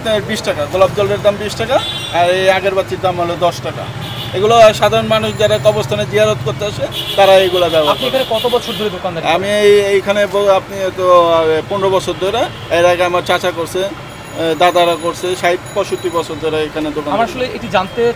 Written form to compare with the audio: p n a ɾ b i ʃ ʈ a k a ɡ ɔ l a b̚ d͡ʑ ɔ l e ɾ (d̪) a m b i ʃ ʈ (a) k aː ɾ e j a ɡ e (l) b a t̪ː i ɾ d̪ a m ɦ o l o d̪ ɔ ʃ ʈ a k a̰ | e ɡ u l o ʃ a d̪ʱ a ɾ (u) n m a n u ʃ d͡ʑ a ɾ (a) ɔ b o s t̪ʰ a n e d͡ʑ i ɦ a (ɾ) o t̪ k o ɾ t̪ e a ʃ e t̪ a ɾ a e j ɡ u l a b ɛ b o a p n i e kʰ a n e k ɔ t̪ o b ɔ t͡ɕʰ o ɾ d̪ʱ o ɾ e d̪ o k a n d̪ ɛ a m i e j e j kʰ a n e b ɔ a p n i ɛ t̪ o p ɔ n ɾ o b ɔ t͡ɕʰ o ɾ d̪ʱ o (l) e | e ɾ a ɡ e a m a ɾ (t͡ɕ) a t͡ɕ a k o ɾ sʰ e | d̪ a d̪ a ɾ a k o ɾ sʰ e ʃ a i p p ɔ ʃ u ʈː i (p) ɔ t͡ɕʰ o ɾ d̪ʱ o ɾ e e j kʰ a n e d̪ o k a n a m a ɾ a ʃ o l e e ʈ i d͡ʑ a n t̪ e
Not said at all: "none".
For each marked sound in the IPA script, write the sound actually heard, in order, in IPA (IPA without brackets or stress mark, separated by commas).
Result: d̪, a, ɾ, o, a, ɾ, ɾ, t͡ɕ, b